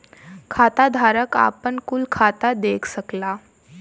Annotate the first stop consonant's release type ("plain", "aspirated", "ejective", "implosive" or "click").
aspirated